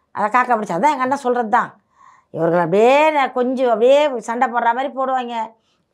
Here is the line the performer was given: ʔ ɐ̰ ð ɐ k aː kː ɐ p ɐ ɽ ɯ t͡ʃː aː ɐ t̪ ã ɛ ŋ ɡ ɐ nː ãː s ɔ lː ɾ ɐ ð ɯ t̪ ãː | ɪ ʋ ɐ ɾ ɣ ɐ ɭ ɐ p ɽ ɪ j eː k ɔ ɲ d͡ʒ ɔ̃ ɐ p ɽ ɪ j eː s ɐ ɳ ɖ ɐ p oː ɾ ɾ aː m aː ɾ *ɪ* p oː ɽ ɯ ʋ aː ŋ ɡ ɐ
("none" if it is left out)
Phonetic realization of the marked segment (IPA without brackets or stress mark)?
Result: i